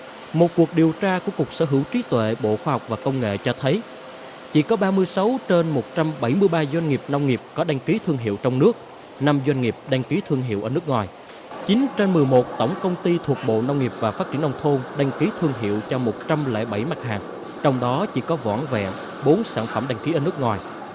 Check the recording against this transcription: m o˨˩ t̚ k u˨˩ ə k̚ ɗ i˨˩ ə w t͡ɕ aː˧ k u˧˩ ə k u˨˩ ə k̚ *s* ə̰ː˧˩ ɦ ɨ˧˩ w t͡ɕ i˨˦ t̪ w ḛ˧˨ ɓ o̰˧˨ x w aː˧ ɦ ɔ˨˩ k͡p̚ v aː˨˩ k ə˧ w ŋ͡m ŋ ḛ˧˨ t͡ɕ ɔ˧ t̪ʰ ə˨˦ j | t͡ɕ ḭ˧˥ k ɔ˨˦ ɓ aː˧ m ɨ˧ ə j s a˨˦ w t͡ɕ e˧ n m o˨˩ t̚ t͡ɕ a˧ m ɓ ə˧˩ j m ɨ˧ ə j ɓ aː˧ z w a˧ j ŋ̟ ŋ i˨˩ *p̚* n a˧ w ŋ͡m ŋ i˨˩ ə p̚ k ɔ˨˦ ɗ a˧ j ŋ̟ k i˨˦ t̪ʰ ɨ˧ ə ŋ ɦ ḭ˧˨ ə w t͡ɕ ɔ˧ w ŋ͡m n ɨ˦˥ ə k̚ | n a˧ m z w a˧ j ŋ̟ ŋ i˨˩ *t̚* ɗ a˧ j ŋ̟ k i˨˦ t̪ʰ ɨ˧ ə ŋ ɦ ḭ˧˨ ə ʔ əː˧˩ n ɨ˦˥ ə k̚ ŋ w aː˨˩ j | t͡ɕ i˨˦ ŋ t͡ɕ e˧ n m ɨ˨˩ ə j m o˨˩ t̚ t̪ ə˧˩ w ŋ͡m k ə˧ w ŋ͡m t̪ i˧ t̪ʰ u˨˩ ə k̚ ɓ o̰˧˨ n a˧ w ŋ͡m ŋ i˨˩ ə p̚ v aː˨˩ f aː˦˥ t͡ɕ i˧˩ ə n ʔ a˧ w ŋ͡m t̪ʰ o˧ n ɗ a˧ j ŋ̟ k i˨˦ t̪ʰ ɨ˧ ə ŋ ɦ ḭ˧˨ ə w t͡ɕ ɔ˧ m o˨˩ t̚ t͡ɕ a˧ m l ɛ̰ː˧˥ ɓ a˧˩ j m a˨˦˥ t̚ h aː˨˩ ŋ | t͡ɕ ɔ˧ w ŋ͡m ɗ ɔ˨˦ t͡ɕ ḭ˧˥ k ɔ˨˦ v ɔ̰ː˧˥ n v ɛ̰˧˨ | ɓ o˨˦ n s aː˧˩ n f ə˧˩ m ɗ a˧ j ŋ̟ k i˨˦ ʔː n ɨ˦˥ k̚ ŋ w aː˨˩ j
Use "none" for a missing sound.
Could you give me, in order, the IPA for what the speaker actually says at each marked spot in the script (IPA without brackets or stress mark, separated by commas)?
s, p̚, p̚